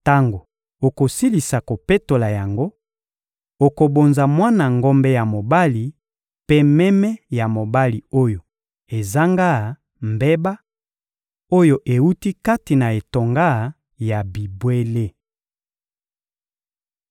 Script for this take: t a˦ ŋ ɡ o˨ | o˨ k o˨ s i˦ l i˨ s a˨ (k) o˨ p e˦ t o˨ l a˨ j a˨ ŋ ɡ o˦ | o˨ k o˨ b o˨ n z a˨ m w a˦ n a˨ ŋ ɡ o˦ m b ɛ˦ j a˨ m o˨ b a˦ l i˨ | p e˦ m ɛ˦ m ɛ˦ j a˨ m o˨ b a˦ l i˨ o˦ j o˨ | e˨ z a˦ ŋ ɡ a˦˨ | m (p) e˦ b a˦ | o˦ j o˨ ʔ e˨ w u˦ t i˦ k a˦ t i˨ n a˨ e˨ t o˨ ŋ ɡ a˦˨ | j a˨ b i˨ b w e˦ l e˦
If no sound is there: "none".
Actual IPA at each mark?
k, b

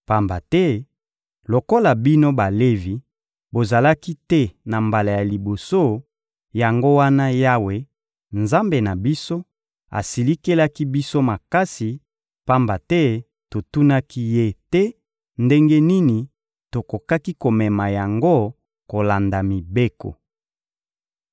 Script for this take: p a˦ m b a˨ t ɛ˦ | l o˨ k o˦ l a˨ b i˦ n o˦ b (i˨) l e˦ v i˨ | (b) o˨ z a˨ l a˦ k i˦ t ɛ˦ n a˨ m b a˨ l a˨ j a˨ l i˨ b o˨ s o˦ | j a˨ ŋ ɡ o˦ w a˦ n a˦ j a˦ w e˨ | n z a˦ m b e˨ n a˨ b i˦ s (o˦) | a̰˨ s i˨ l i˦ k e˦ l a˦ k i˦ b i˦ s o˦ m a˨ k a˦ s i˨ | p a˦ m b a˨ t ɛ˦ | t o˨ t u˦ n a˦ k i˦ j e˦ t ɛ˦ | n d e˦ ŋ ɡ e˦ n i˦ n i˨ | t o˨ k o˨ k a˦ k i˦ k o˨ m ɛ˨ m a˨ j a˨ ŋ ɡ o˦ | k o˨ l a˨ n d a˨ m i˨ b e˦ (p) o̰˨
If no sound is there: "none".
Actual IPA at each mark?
a˨, b, o˦, k

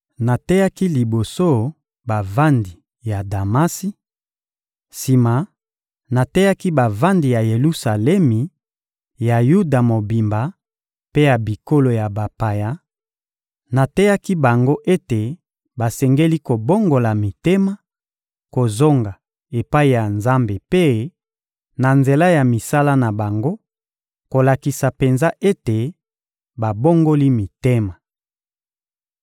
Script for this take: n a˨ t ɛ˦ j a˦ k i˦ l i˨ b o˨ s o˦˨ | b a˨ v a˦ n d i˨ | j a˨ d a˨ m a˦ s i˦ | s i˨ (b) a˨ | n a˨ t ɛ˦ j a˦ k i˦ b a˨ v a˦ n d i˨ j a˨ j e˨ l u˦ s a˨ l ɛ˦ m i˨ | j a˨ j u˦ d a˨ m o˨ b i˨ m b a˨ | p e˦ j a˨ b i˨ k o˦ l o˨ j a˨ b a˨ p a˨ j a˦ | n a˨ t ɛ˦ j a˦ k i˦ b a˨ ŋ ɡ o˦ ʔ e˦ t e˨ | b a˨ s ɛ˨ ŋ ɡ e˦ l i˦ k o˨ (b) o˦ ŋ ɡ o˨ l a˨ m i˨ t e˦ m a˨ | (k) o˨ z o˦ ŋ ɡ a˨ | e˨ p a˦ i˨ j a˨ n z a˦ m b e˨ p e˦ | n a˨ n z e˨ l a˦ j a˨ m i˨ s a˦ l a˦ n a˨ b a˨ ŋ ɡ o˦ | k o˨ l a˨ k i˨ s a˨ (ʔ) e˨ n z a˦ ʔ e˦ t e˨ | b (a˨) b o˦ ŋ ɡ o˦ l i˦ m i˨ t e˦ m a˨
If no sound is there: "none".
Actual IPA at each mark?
m, b, k, p, a˨

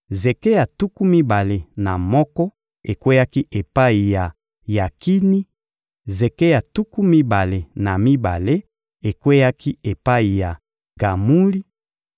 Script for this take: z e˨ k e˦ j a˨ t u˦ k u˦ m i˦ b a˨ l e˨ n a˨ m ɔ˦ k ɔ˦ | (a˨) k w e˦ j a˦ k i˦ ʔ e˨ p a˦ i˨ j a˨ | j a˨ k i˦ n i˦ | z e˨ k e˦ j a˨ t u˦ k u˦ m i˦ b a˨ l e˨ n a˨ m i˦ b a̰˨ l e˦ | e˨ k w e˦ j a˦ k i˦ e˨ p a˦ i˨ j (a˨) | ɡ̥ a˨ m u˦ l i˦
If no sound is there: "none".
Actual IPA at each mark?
e˨, a˨

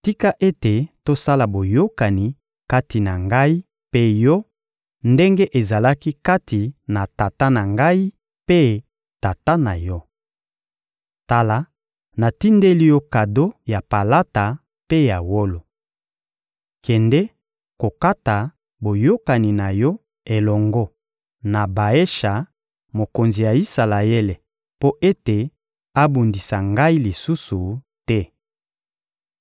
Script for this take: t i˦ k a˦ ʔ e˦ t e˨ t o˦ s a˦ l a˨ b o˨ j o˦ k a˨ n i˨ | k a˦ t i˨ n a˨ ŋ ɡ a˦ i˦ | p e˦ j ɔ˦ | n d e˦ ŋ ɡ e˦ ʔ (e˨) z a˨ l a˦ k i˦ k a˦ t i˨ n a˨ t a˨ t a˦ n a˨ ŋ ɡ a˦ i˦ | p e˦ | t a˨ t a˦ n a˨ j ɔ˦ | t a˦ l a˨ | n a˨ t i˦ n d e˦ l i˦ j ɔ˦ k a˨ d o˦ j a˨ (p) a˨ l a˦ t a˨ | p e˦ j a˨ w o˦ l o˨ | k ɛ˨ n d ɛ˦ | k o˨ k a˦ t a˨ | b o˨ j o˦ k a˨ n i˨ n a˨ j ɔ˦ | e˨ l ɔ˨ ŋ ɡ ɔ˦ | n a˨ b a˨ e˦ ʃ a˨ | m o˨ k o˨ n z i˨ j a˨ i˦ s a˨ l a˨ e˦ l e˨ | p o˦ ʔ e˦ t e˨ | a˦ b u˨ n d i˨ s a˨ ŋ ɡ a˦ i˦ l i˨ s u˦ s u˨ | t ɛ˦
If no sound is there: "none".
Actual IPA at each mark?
e˨, p

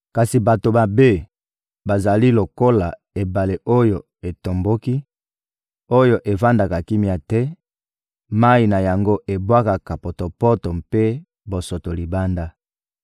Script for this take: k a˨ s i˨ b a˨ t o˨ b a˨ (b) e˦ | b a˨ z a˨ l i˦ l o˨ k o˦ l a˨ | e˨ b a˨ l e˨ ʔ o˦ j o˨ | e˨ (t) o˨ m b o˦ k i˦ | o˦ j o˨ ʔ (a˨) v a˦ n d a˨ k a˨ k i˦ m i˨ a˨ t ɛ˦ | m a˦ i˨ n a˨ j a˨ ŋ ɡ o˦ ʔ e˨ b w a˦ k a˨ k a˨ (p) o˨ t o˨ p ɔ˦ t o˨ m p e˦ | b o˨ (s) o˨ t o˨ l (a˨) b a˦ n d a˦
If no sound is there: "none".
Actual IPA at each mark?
b, t, e˨, p, s, i˨

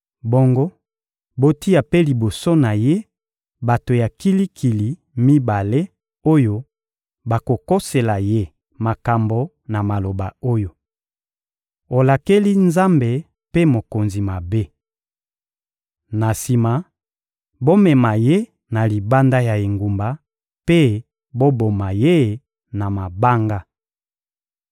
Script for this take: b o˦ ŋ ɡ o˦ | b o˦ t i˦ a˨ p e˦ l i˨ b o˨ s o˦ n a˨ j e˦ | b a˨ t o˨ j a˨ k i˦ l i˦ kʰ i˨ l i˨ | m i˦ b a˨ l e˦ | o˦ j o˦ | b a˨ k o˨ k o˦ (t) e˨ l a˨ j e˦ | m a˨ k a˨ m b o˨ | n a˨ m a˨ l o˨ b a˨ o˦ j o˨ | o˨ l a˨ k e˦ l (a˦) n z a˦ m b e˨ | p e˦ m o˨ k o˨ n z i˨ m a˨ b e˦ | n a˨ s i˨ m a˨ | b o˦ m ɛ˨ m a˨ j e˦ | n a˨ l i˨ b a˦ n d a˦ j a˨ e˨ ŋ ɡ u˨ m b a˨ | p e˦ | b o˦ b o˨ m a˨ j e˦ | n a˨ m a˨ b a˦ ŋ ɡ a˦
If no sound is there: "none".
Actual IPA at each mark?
s, i˦

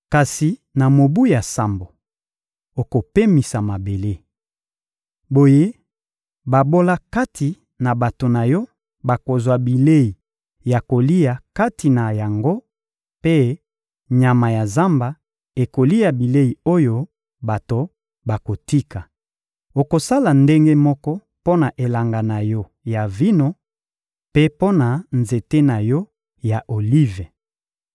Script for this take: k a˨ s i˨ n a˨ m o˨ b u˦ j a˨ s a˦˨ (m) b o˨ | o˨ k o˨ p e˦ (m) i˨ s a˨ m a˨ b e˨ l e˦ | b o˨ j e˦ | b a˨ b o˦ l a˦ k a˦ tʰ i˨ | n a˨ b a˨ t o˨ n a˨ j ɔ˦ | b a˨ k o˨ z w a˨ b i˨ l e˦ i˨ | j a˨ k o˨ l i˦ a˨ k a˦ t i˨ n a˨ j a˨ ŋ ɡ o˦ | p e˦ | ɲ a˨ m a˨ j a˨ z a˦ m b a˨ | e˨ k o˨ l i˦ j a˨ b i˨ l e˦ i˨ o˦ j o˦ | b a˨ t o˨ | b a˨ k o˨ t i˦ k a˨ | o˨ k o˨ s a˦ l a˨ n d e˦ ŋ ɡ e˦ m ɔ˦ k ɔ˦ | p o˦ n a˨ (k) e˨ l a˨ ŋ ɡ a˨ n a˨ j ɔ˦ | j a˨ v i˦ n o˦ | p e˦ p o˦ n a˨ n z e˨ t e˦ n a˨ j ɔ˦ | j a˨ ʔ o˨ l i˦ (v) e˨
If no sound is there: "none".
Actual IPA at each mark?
m, m, ʔ, v

